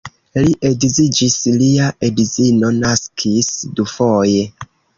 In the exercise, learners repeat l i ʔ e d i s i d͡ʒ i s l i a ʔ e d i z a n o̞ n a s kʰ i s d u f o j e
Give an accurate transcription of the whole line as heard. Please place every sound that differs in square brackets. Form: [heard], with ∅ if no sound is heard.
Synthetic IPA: l i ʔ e d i [z] i d͡ʒ i s l i a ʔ e d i z [i] n o̞ n a s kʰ i s d u f o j e